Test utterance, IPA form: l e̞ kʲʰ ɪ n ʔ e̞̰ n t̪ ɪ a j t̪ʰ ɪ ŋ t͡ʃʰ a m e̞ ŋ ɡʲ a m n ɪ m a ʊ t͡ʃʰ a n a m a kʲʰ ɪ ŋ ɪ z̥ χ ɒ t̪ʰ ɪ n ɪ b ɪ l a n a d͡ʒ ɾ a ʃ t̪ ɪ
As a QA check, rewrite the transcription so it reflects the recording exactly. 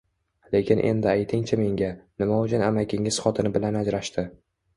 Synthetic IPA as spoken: l e̞ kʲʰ ɪ n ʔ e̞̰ n d̪ ɪ a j t̪ʰ ɪ ŋ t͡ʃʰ a m e̞ ŋ ɡʲ a n ɪ m a ʊ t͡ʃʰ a n a m a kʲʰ ɪ ŋ ɪ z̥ χ ɒ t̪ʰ ɪ n ɪ b ɪ l a n a d͡ʒ ɾ a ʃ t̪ ɪ